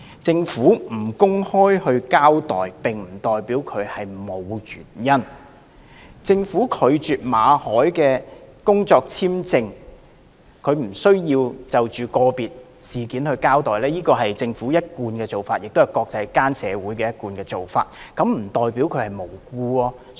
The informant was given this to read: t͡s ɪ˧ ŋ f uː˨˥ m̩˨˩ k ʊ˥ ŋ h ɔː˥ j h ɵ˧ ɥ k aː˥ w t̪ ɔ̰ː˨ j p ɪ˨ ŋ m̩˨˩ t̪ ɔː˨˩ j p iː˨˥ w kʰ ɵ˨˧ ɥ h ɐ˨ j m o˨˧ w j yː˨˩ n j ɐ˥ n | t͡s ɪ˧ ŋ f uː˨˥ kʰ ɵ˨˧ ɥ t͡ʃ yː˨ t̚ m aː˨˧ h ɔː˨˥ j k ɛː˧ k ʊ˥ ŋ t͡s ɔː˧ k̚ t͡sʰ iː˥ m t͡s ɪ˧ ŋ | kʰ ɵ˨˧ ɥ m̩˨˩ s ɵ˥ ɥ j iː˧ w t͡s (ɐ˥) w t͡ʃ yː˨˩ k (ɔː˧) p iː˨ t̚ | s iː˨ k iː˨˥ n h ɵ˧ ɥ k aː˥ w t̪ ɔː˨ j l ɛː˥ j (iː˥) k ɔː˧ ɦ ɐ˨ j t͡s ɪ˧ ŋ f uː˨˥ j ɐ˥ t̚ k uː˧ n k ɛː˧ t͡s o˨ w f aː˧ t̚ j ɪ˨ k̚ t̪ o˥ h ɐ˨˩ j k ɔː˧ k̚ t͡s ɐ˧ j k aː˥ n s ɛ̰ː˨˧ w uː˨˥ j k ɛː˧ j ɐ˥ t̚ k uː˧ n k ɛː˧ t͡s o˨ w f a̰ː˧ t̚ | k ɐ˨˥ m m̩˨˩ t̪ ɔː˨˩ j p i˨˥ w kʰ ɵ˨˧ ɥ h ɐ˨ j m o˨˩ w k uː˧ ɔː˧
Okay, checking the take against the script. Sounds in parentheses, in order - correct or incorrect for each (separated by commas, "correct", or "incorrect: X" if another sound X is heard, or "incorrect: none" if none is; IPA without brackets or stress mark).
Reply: incorrect: ɐ˨, correct, correct